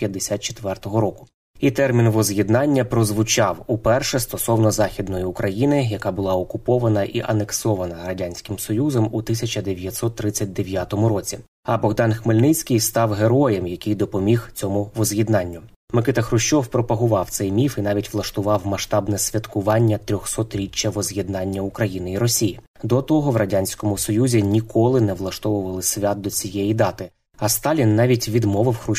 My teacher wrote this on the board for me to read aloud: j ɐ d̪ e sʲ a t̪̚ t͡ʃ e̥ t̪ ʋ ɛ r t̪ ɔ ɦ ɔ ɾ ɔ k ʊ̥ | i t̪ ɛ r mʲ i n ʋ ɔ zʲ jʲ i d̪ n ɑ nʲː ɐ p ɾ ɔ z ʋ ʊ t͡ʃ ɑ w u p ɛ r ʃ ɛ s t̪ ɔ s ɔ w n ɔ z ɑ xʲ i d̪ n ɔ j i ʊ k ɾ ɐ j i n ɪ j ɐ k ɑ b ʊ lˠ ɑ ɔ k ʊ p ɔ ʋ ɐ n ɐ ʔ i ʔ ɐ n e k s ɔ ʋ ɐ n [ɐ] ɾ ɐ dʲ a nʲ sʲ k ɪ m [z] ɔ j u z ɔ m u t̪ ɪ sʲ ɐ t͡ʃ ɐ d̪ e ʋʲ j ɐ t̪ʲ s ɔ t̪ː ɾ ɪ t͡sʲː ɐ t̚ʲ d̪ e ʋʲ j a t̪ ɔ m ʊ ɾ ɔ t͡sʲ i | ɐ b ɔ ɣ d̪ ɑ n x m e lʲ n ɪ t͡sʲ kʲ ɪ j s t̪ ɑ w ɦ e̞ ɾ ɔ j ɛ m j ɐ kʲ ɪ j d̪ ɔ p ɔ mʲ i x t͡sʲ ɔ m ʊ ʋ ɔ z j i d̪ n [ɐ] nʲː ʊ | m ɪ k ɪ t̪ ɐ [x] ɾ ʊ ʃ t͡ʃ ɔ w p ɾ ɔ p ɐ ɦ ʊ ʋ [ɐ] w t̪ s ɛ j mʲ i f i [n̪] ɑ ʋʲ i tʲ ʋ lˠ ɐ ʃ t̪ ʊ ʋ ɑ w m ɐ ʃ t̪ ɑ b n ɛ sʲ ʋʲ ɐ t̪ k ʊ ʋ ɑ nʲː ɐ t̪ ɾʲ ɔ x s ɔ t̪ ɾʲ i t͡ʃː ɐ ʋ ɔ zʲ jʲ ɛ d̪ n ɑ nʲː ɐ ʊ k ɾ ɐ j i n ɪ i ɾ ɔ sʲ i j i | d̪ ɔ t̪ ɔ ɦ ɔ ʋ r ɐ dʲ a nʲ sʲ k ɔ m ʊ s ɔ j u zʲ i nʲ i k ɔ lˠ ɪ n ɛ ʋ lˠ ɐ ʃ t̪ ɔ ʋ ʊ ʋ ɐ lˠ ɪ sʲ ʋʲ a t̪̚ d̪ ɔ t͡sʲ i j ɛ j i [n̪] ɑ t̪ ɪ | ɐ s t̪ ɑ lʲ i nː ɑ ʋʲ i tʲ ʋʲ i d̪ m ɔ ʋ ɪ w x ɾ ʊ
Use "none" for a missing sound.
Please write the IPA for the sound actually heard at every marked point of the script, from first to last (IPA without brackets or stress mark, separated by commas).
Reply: ɐ, s, ɑ, x, ɑ, n̪, d̪